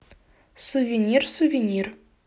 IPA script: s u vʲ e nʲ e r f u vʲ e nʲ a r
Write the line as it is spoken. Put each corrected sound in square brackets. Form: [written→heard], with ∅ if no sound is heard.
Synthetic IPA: s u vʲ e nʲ [e→i] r [f→s] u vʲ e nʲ [a→i] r